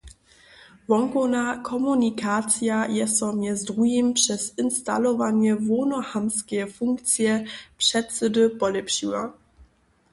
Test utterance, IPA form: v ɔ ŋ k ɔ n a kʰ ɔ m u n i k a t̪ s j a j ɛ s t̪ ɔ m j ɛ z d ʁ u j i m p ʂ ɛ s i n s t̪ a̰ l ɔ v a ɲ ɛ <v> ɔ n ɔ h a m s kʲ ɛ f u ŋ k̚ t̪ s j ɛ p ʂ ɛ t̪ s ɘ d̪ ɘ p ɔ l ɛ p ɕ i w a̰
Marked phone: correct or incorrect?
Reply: correct